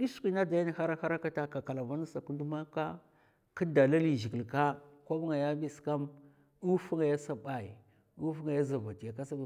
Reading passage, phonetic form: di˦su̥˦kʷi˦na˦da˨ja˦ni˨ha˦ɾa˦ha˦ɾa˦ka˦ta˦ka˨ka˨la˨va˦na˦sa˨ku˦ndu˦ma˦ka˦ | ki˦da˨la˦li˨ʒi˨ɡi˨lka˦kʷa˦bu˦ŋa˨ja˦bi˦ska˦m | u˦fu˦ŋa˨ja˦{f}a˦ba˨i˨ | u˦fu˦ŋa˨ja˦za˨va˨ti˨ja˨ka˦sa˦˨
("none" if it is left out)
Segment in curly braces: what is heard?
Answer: s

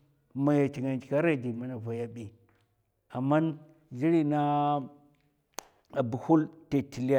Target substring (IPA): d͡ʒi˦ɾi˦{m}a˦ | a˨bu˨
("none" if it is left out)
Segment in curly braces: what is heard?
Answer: n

